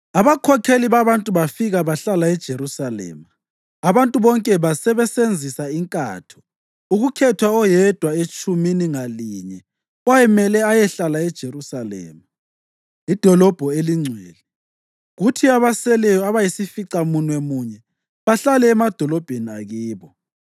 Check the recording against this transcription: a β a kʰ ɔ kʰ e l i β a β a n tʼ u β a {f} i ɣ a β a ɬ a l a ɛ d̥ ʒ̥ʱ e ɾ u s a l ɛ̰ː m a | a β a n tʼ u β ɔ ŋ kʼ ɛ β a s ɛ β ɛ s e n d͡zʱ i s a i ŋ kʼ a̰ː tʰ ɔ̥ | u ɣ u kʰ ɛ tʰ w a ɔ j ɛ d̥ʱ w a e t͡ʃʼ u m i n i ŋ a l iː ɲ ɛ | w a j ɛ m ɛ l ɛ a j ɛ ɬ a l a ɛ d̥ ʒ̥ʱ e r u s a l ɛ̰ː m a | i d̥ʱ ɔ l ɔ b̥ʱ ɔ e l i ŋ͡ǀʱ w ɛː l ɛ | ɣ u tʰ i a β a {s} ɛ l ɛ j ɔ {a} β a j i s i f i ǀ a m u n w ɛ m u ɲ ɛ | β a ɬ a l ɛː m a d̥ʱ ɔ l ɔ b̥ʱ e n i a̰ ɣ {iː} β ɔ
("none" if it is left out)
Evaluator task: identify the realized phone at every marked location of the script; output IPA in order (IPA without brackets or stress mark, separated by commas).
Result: f, s, a, iː